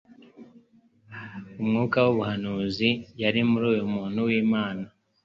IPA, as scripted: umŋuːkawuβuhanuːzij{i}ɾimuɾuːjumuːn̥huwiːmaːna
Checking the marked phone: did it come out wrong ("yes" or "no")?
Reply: yes